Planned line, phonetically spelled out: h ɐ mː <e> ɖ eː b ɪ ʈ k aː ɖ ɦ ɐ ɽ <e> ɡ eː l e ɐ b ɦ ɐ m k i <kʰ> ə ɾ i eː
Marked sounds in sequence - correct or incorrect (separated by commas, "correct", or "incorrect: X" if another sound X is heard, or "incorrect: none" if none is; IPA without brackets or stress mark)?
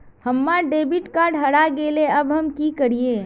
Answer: incorrect: a, incorrect: a, incorrect: k